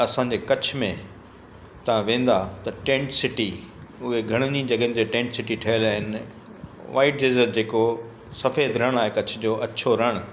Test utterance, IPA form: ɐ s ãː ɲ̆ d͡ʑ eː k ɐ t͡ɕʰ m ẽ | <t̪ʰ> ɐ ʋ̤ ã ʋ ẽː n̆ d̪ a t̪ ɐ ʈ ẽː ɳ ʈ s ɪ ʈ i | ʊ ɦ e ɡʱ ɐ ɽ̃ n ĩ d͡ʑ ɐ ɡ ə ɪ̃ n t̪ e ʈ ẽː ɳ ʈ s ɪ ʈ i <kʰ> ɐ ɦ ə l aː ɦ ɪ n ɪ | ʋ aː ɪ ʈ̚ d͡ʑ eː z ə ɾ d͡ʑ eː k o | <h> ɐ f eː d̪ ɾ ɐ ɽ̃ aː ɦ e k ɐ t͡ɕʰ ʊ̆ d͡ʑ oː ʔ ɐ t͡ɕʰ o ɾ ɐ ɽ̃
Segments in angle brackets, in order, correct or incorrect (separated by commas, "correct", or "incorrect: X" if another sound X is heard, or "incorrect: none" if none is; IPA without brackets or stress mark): incorrect: t̪, incorrect: ʈʰ, incorrect: s